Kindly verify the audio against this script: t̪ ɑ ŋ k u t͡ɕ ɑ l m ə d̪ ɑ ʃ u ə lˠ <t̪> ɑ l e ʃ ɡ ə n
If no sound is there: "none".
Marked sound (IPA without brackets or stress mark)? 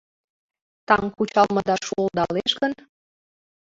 d̪